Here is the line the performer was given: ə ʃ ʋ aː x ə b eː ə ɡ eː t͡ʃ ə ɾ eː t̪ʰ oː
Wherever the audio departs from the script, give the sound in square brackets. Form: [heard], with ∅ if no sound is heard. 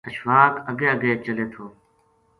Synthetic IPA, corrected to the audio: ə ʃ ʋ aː [k] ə [ɡ] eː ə ɡ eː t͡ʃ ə [l] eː t̪ʰ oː